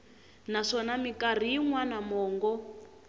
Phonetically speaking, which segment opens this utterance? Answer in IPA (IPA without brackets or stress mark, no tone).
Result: n